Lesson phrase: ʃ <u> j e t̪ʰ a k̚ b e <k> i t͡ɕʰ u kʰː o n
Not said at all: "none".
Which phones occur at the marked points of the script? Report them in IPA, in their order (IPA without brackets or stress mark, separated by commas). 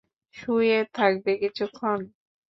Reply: u, k